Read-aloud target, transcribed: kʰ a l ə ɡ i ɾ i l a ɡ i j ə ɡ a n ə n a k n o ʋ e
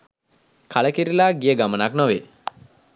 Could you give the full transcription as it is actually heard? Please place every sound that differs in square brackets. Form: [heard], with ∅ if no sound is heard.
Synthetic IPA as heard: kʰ a l ə [k] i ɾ i l a ɡ i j ə ɡ a [m] ə n a k n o ʋ e

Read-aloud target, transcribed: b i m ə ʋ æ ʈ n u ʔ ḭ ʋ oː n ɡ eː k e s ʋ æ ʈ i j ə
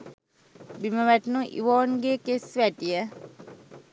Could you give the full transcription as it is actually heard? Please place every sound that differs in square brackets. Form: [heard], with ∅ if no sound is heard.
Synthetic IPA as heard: b i m ə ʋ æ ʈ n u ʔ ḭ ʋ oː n ɡ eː k e s ʋ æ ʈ i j ə

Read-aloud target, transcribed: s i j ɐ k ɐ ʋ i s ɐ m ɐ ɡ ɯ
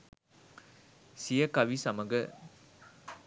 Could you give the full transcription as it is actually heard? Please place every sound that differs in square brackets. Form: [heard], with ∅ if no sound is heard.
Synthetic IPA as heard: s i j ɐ k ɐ ʋ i s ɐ m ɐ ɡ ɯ

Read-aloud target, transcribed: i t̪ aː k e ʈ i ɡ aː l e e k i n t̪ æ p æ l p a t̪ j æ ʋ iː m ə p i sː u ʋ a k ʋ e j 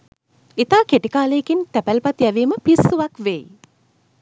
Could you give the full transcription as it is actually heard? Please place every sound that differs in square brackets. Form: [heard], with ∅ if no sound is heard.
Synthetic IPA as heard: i t̪ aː k e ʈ i [k] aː l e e k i n t̪ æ p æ l p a t̪ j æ ʋ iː m ə p i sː u ʋ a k ʋ e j

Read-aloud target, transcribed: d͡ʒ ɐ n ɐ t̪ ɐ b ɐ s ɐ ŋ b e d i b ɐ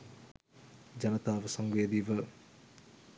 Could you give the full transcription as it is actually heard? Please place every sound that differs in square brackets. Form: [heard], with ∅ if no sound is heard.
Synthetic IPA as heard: d͡ʒ ɐ n ɐ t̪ [a] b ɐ s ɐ ŋ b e d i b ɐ

